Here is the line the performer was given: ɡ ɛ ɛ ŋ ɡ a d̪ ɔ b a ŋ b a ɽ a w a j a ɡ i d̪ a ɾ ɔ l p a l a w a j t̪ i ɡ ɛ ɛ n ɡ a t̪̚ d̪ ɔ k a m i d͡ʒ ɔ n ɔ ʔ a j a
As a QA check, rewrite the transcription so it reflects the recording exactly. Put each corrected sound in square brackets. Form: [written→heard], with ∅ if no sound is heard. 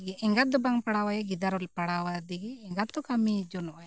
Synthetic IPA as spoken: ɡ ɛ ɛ ŋ ɡ a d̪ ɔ b a ŋ [b→p] a ɽ a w a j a ɡ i d̪ a ɾ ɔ l p a [l→ɽ] a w a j [t̪→d̪] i ɡ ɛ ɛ [n→ŋ] ɡ a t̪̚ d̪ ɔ k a m i d͡ʒ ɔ n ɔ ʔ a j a